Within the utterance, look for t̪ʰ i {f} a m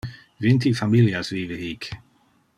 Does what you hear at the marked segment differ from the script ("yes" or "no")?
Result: no